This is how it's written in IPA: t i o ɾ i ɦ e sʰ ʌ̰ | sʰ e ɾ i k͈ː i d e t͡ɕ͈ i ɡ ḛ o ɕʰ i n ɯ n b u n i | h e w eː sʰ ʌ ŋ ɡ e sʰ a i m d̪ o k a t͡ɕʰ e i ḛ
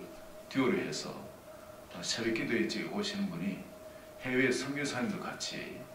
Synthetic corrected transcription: t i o ɾ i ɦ e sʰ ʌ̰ | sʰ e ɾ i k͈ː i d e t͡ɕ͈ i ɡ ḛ o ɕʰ i n ɯ n b u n i | h e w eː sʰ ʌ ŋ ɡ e sʰ a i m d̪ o k a t͡ɕʰ i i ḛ